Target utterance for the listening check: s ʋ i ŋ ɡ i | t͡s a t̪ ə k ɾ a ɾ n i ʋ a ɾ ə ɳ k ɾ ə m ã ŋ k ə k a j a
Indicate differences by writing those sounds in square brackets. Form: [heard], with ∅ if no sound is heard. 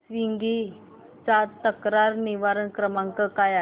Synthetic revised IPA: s ʋ i ŋ ɡ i | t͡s a t̪ ə k ɾ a ɾ n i ʋ a ɾ ə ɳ k ɾ ə m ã ŋ k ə k a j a

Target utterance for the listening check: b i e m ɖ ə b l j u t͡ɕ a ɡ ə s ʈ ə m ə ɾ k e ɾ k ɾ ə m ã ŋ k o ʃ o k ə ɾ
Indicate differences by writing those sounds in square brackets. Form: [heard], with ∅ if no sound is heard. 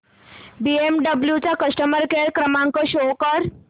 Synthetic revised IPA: b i e m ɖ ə b l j u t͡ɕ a [k] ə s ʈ ə m ə ɾ k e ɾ k ɾ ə m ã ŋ k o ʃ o k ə ɾ

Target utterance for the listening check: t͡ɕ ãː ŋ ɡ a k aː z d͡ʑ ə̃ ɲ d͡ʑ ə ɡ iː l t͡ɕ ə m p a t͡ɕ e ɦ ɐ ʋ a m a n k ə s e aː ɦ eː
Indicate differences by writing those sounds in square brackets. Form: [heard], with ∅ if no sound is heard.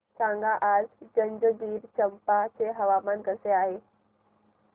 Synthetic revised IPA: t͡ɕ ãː ŋ ɡ a [ʔ] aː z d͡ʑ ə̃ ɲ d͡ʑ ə ɡ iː [ɾ] t͡ɕ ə m p a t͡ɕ e ɦ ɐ ʋ a m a n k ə s e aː ɦ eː

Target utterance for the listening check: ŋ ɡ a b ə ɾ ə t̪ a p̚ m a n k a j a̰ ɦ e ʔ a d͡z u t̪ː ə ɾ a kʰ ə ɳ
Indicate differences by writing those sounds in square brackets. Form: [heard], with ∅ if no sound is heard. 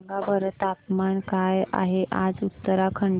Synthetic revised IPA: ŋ ɡ a b ə ɾ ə t̪ a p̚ m a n k a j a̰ ɦ e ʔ a d͡z u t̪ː ə ɾ a kʰ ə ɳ

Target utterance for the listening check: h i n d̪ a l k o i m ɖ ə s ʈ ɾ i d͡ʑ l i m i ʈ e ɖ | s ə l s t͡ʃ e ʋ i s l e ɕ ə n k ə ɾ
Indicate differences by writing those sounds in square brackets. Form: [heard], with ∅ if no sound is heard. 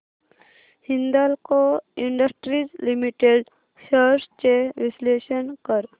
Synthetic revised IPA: h i n d̪ a l k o i [ɳ] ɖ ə s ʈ ɾ i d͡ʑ l i m i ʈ e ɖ | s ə [ɾ] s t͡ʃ e ʋ i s l e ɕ ə n k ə ɾ

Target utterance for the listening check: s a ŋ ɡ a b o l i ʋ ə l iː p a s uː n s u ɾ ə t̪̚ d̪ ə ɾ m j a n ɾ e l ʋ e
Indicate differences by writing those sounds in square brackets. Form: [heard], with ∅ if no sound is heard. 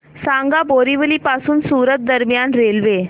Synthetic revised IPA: s a ŋ ɡ a b o [ɾ] i ʋ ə l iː p a s uː n s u ɾ ə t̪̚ d̪ ə ɾ m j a n ɾ e l ʋ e

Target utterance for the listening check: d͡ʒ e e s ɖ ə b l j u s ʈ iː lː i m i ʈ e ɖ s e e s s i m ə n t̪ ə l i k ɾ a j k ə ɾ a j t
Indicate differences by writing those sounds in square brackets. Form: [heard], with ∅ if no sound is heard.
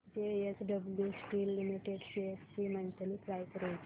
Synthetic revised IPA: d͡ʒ e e s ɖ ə b l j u s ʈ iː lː i m i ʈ e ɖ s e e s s i m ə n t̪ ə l i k ɾ a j k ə ɾ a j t

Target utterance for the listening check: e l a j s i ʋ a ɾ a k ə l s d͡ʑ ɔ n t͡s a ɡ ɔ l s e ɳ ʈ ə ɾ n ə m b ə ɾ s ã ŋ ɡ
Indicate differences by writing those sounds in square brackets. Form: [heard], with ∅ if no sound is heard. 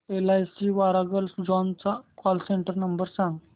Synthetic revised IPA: e l a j s i ʋ a ɾ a [ɡ] ə l s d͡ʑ ɔ n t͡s a [k] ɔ l s e ɳ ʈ ə ɾ n ə m b ə ɾ s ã ŋ ɡ

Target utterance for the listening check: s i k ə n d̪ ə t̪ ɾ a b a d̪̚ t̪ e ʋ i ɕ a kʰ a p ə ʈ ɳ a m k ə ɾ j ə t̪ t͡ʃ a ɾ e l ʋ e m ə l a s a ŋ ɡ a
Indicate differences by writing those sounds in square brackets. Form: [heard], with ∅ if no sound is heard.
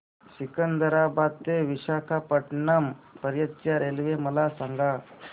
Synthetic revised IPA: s i k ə n d̪ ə [∅] ɾ a b a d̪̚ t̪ e ʋ i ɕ a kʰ a p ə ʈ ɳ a m [p] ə ɾ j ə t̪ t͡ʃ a ɾ e l ʋ e m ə l a s a ŋ ɡ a

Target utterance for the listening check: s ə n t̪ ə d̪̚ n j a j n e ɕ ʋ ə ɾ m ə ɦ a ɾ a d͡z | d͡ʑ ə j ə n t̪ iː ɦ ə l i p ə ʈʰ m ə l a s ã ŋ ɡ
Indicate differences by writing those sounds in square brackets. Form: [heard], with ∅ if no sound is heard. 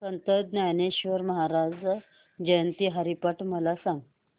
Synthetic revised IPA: s ə n t̪ ə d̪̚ n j a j n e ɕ ʋ ə ɾ m ə ɦ a ɾ a d͡z | d͡ʑ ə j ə n t̪ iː ɦ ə [ɾ] i p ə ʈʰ m ə l a s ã ŋ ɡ

